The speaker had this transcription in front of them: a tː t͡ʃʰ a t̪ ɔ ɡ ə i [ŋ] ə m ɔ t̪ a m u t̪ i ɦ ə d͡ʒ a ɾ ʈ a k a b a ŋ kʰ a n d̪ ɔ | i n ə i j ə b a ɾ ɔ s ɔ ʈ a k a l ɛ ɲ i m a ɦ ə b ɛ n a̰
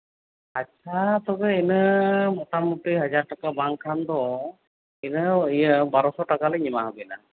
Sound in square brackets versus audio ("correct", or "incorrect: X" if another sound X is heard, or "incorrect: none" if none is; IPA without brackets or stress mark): incorrect: n